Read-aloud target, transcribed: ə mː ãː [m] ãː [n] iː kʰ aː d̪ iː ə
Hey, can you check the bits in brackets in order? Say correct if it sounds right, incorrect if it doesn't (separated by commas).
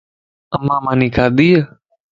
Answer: correct, correct